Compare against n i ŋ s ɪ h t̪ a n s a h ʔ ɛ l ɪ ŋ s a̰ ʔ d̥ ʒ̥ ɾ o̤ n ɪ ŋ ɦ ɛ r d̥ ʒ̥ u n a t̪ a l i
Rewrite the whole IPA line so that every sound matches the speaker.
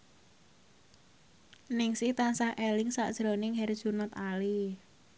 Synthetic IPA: n ɪ ŋ s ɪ h t̪ a n s a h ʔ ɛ l ɪ ŋ s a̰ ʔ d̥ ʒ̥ ɾ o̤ n ɪ ŋ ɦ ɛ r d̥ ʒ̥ u n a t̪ a l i